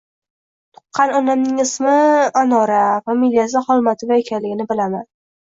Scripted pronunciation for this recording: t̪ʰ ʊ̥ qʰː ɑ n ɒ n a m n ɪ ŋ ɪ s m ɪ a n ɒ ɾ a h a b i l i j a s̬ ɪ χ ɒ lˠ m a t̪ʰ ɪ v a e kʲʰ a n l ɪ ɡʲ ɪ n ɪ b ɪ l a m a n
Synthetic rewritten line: t̪ʰ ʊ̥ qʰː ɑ n ɒ n a m n ɪ ŋ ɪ s m ɪ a n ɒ ɾ a f a m i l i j a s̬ ɪ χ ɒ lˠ m a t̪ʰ ɪ v a e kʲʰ a n l ɪ ɡʲ ɪ n ɪ b ɪ l a m a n